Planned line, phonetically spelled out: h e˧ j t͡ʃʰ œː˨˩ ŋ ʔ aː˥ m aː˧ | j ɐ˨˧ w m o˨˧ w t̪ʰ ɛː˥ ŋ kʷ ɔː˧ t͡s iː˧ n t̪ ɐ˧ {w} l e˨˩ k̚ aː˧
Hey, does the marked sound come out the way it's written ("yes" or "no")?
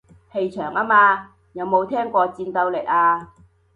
yes